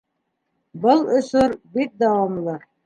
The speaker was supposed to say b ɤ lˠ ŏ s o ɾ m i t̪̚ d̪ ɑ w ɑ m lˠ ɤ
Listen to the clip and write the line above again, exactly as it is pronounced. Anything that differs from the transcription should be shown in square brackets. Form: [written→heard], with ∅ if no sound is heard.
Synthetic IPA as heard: b ɤ lˠ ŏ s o ɾ [m→b] i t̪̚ d̪ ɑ w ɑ m lˠ ɤ